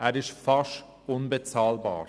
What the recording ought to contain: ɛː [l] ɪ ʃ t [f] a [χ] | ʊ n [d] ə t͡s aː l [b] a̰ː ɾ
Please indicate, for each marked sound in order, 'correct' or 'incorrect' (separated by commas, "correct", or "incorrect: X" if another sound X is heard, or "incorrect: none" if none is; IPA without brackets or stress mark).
incorrect: ɾ, correct, incorrect: ʃ, incorrect: b, correct